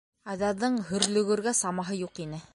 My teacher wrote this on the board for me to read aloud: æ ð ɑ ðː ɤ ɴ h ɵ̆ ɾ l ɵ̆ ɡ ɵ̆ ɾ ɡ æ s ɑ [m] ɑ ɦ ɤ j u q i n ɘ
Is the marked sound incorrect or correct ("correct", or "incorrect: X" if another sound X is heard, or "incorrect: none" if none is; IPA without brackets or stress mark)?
correct